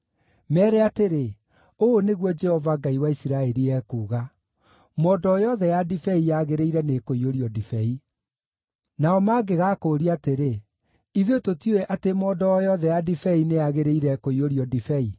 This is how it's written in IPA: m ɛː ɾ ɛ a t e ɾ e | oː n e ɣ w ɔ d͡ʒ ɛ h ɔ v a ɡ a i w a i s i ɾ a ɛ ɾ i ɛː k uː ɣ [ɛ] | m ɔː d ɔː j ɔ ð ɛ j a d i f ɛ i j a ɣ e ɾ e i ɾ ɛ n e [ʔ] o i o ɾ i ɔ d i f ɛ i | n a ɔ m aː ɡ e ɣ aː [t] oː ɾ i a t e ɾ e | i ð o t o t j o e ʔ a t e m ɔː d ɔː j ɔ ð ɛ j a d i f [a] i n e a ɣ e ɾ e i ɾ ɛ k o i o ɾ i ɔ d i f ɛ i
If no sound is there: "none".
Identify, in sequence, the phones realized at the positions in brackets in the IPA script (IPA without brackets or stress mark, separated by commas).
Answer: a, k, k, ɛ